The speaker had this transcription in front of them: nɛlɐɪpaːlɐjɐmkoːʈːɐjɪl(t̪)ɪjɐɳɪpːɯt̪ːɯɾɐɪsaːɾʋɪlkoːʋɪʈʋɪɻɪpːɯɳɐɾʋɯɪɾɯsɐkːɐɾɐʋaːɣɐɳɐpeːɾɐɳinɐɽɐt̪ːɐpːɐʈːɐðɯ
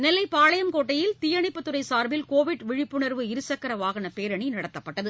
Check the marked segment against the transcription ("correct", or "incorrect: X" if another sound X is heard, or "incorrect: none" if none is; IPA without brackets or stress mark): correct